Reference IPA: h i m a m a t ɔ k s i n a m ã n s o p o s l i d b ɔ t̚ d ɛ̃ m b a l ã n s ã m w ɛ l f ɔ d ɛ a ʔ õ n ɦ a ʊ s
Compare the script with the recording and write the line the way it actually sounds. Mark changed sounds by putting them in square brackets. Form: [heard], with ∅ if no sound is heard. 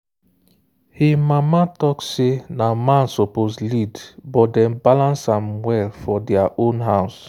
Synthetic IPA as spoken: h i m a m a t ɔ k s [e] n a m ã n s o p o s l i d b ɔ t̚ d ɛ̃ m b a l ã n s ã m w ɛ l f ɔ d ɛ a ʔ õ n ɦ a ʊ s

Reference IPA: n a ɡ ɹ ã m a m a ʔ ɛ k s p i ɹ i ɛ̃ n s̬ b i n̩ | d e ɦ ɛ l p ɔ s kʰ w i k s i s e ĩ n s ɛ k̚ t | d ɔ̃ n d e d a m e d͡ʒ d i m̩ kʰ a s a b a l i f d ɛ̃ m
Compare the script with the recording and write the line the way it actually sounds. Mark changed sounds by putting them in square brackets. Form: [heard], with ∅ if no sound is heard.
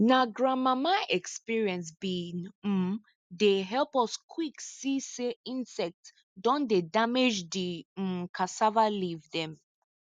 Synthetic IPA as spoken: n a ɡ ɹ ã m a m a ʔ ɛ k s p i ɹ i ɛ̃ n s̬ b i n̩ | d e ɦ ɛ l p ɔ s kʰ w i k s i s e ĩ n s ɛ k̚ t | d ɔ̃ n d e d a m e d͡ʒ d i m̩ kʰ a s a [v] a l i [v] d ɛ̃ m

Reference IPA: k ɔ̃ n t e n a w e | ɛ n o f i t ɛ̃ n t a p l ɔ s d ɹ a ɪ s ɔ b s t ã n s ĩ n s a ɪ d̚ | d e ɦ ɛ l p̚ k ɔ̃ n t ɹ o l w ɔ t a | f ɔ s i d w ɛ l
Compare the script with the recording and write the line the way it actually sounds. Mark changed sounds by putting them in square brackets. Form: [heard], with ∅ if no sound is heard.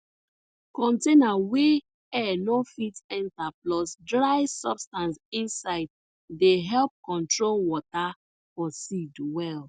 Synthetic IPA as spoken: k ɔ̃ n t e n a w e | ɛ n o f i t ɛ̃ n t a p l ɔ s d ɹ a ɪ s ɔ b s t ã n s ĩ n s a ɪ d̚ | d e ɦ ɛ l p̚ k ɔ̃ n t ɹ o l w ɔ t a | f ɔ s i d w ɛ l

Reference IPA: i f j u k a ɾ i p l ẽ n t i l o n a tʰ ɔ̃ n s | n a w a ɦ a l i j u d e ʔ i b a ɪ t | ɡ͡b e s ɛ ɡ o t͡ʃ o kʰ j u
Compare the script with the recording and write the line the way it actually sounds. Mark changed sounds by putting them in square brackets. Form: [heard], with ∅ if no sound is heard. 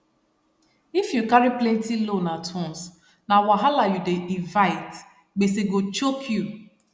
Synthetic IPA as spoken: i f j u k a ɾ i p l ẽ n t i l o n a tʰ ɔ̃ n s | n a w a ɦ a l [a] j u d e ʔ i [v] a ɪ t | ɡ͡b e s [e] ɡ o t͡ʃ o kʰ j u

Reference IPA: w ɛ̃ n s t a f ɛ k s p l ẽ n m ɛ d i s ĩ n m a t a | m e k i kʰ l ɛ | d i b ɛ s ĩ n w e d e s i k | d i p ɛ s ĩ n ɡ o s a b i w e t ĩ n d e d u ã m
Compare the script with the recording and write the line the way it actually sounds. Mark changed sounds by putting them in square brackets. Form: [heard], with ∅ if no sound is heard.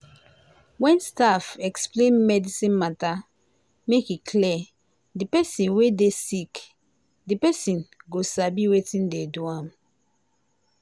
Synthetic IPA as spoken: w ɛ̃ n s t a f ɛ k s p l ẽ n m ɛ d i s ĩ n m a t a | m e k i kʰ l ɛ | d i [p] ɛ s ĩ n w e d e s i k | d i p ɛ s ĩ n ɡ o s a b i w e t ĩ n d e d u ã m

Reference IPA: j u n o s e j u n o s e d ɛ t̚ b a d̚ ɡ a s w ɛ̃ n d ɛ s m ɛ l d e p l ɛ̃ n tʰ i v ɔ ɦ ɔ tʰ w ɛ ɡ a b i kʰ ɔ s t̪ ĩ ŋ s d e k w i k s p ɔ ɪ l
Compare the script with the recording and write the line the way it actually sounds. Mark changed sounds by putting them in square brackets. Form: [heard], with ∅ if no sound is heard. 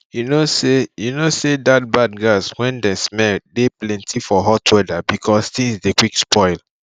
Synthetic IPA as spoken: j u n o s e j u n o s e d [a] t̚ b a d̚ ɡ a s w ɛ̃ n d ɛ s m ɛ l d e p l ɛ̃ n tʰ i [f] ɔ ɦ ɔ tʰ w ɛ [d] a b i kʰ ɔ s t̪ ĩ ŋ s d e k w i k s p ɔ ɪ l

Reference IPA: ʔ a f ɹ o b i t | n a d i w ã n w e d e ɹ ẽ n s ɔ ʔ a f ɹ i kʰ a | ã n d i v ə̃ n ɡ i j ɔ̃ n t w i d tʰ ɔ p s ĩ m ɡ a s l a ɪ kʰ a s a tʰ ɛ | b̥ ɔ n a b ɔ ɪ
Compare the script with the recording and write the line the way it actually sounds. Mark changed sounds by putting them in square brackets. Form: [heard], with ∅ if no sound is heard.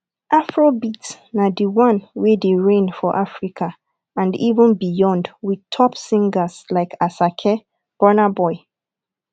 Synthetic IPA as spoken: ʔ a f ɹ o b i t | n a d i w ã n w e d e ɹ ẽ n [f] ɔ ʔ a f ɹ i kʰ a | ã n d i v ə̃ n [b] i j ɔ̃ n [d] w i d tʰ ɔ p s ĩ [ŋ] ɡ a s l a ɪ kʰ a s a [kʰ] ɛ | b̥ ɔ n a b ɔ ɪ

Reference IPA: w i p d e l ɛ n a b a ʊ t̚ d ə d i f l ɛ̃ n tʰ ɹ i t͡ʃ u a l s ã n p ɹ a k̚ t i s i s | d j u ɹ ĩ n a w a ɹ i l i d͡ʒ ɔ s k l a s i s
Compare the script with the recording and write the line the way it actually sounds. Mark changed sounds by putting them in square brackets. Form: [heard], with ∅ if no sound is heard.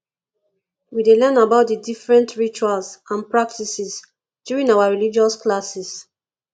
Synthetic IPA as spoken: w i [∅] d e l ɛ n a b a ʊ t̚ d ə d i f [ɹ] ɛ̃ n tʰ ɹ i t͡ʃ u a l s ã n p ɹ a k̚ t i s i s | d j u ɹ ĩ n a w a ɹ i l i d͡ʒ ɔ s k l a s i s

